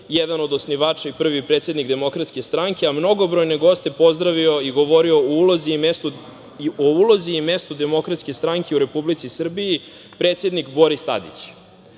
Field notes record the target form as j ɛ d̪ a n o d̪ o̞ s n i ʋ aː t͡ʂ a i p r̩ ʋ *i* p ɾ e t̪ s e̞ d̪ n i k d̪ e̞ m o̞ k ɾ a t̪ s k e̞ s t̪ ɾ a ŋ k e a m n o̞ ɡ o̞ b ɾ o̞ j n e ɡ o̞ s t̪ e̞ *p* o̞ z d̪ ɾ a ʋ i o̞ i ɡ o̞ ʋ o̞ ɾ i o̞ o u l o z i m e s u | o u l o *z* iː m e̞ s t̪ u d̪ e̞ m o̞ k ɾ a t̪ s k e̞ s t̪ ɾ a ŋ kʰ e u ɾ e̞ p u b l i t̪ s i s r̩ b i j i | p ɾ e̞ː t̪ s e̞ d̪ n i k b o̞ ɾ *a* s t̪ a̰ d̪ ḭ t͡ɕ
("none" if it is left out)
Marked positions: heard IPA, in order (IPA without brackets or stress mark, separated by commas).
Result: i, p, z, i